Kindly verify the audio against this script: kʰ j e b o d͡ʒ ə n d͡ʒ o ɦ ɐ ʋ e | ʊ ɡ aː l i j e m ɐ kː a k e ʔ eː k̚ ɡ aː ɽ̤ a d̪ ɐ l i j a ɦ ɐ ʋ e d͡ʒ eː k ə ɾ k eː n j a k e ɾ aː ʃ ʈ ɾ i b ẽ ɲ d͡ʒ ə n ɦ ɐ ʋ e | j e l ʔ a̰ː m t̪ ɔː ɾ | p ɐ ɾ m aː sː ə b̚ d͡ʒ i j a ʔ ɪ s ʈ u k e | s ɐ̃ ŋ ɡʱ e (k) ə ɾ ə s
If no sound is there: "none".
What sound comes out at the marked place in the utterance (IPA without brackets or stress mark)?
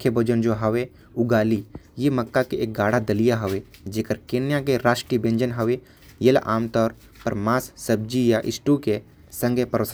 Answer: p